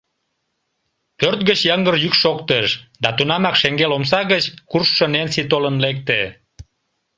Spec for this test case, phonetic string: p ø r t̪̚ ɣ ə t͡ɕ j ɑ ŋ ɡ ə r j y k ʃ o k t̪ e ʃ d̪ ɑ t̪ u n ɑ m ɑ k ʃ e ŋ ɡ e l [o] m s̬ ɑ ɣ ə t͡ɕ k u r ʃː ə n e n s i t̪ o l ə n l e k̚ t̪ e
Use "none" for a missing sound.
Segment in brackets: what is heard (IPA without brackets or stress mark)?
o